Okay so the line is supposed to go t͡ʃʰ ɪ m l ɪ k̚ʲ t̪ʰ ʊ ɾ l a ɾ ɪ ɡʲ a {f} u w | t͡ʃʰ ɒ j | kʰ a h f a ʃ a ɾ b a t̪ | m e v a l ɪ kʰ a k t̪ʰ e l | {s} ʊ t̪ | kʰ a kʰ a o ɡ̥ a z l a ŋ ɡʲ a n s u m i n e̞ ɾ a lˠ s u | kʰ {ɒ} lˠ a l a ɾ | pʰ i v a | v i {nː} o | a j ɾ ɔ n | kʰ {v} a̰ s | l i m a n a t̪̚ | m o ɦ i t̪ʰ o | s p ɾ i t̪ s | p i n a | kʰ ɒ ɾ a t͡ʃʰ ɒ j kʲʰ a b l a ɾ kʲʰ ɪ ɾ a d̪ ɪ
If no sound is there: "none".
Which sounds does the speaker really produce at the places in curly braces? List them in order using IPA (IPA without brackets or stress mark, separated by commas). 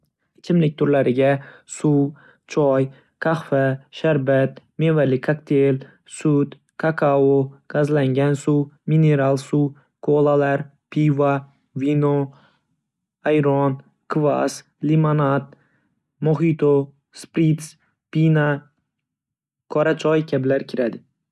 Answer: s, s, o, n, v